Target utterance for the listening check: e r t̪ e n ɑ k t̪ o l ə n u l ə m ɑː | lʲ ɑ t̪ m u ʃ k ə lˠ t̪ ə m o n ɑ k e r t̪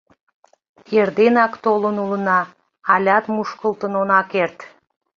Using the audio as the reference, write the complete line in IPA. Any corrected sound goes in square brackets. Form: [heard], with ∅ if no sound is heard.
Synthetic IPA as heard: e r [d̪] e n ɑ k t̪ o l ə n u l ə [n] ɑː | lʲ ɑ t̪ m u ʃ k ə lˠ t̪ ə [n] o n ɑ k e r t̪